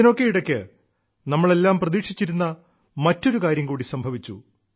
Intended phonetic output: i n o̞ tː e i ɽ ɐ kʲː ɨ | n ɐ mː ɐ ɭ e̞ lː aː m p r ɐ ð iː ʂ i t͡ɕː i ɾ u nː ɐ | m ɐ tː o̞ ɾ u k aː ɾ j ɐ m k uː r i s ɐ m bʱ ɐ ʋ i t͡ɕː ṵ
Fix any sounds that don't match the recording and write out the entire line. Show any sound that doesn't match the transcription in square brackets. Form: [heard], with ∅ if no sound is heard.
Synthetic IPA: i n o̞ [kː] e i ɽ ɐ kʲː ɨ | n ɐ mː ɐ ɭ e̞ lː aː m p r ɐ ð iː ʂ i t͡ɕː i ɾ u nː ɐ | m ɐ tː o̞ ɾ u k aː ɾ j ɐ m k uː [ɽ] i s ɐ m bʱ ɐ ʋ i t͡ɕː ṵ